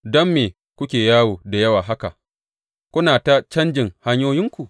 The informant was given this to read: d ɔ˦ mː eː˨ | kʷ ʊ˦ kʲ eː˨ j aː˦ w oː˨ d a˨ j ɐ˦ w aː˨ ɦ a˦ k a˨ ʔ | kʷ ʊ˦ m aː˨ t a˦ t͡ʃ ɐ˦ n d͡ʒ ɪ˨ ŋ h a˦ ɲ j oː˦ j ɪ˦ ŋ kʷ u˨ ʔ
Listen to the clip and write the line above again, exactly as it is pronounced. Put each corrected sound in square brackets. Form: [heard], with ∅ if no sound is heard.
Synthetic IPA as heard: d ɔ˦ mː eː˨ | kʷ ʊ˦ kʲ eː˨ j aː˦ w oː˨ d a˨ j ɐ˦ w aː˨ ɦ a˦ k a˨ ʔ | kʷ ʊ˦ [n] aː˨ t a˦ t͡ʃ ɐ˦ n d͡ʒ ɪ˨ ŋ h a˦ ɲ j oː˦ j ɪ˦ ŋ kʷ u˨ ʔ